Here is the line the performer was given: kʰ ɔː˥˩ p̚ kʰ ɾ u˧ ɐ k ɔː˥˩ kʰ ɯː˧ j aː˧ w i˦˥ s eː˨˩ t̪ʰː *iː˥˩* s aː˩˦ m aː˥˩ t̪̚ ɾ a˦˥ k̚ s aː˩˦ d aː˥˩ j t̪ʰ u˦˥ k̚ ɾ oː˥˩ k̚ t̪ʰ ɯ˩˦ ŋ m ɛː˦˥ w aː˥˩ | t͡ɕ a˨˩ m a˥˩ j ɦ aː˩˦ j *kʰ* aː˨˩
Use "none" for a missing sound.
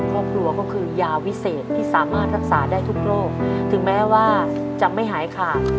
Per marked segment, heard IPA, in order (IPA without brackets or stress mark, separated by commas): iː˥˩, kʰ